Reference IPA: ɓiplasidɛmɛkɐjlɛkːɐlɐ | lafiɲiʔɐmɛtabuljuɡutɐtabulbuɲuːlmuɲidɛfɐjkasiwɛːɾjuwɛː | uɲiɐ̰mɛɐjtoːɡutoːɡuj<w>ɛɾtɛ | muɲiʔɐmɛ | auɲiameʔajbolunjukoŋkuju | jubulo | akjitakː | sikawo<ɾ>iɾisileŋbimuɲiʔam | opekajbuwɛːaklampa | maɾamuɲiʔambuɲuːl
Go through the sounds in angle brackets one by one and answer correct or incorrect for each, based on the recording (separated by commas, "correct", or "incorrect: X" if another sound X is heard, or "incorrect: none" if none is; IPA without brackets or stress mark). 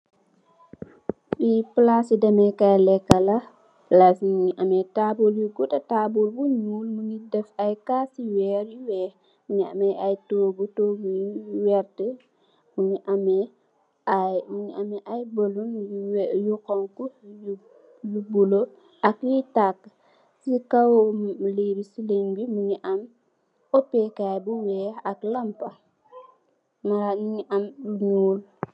correct, incorrect: l